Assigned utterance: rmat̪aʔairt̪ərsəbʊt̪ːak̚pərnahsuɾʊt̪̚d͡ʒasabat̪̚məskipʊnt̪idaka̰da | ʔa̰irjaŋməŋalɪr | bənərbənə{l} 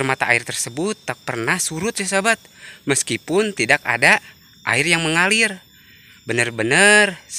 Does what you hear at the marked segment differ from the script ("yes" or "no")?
yes